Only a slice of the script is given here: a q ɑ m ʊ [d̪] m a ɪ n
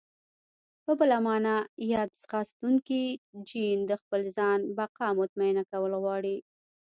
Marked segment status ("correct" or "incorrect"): incorrect